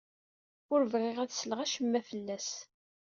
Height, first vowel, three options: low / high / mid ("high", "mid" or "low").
high